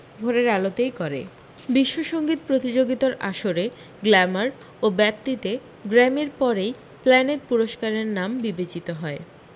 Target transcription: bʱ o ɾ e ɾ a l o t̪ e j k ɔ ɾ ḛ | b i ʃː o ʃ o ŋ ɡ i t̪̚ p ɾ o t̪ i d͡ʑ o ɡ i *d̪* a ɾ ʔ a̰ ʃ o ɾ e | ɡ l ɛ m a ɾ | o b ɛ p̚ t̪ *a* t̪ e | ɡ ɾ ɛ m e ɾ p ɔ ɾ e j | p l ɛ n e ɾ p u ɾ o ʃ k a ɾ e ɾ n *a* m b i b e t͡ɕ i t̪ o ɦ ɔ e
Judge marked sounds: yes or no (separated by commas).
no, no, yes